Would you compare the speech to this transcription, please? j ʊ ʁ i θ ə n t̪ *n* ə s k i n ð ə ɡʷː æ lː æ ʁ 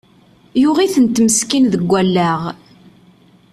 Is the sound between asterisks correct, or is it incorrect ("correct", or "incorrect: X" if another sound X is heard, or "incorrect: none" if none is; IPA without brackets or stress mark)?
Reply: incorrect: m